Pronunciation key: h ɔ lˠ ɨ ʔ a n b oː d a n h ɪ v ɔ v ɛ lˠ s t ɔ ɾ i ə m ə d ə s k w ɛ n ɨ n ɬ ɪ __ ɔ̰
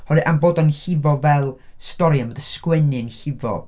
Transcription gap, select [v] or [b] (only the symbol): v